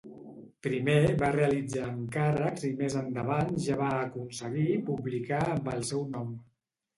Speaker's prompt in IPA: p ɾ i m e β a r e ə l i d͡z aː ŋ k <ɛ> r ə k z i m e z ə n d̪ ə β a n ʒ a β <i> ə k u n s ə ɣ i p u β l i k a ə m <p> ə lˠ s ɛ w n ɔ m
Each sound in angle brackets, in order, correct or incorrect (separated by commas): incorrect, incorrect, incorrect